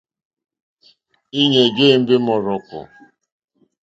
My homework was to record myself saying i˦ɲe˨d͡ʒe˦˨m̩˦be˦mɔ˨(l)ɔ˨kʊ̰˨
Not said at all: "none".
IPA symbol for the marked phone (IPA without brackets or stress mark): ɾ